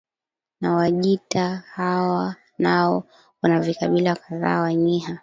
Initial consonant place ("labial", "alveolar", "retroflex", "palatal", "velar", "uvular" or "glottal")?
alveolar